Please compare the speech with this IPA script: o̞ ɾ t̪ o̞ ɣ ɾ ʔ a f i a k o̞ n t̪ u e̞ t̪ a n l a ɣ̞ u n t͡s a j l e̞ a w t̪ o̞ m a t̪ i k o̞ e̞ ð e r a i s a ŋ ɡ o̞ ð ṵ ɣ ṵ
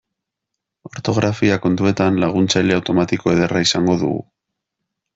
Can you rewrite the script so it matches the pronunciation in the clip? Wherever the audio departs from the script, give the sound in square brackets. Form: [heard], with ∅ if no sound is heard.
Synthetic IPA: o̞ ɾ t̪ o̞ ɣ ɾ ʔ a f i a k o̞ n t̪ u e̞ t̪ a n l a ɣ̞ u n t͡s a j l e̞ a w t̪ o̞ m a t̪ i k o̞ e̞ ð e r a i s a ŋ ɡ o̞ ð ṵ ɣ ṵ